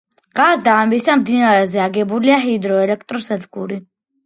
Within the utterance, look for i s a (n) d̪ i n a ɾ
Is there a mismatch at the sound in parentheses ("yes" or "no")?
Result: yes